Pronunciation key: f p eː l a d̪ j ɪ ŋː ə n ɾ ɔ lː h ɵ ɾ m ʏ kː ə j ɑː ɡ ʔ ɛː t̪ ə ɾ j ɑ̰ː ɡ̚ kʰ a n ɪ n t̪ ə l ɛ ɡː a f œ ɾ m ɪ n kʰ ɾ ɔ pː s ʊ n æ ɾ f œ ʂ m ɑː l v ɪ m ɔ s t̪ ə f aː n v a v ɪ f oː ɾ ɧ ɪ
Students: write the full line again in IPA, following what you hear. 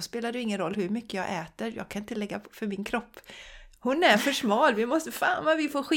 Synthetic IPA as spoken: s p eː l a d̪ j ɪ ŋː ə n ɾ ɔ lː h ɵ ɾ m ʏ kː ə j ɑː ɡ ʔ ɛː t̪ ə ɾ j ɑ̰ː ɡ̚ kʰ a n ɪ n t̪ ə l ɛ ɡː a f œ ɾ m ɪ n kʰ ɾ ɔ pː h ʊ n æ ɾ f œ ʂ m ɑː l v ɪ m ɔ s t̪ ə f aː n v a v ɪ f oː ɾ ɧ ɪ